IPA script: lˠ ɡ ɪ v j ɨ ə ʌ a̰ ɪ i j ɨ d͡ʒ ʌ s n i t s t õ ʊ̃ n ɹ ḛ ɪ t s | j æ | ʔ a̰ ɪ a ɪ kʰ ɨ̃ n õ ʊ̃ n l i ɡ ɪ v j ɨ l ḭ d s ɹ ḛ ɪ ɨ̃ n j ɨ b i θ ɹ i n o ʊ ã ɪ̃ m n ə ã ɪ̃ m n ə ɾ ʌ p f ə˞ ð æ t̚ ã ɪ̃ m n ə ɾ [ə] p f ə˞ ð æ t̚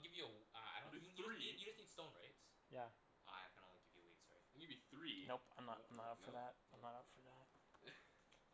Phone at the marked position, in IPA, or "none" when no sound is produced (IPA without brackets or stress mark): ʌ